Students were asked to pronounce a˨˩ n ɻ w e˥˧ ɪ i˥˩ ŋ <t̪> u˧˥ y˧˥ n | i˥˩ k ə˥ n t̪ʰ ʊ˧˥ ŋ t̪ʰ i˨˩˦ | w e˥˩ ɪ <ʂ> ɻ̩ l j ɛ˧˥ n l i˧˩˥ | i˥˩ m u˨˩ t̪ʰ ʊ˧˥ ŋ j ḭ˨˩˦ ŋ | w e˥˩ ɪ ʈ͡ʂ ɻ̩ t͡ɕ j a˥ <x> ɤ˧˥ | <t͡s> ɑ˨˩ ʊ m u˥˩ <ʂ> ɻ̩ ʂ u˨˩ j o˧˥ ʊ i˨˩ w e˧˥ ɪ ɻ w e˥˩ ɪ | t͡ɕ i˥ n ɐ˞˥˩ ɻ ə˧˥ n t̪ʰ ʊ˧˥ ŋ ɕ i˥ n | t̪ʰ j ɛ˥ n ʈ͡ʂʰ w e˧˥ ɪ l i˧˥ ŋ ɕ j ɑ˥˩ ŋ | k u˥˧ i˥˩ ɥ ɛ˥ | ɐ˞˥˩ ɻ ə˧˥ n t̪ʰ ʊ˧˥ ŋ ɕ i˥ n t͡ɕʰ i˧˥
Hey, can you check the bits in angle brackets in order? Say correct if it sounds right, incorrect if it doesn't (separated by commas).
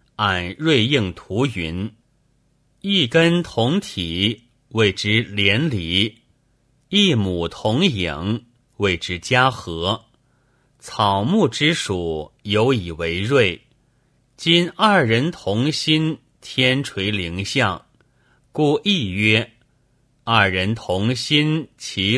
incorrect, incorrect, correct, incorrect, incorrect